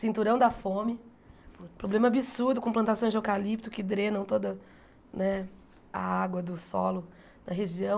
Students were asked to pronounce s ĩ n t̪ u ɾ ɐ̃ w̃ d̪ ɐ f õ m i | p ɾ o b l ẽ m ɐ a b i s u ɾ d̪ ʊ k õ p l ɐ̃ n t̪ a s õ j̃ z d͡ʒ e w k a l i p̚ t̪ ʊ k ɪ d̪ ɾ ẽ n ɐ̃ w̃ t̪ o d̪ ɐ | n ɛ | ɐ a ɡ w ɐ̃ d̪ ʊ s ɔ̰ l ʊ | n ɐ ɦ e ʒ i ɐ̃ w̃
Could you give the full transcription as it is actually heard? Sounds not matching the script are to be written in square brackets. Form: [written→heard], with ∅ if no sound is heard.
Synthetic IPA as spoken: s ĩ n t̪ u ɾ ɐ̃ w̃ d̪ ɐ f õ m [i→ɪ] | p ɾ o b l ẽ m ɐ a b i s u ɾ d̪ ʊ k õ p l ɐ̃ n t̪ a s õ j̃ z d͡ʒ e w k a l i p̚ t̪ ʊ k ɪ d̪ ɾ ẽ n ɐ̃ w̃ t̪ o d̪ ɐ | n ɛ | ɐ a ɡ w [ɐ̃→ɐ] d̪ ʊ s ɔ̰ l ʊ | n ɐ ɦ e ʒ i ɐ̃ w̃